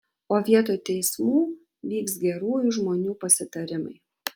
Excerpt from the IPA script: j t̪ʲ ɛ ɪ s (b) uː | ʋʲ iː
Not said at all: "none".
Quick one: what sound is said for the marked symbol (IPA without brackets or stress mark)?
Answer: m